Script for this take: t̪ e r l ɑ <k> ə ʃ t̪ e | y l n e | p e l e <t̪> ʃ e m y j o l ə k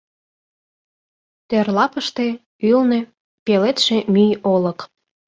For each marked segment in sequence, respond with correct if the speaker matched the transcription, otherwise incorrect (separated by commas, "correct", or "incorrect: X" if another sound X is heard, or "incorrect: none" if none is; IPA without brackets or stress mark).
incorrect: p, correct